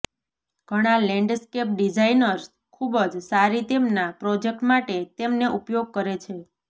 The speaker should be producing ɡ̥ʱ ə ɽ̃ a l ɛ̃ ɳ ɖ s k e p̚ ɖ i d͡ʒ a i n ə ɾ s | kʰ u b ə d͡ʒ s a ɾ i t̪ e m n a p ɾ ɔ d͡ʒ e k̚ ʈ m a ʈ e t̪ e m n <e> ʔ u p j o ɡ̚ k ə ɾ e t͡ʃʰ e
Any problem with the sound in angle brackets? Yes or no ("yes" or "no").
no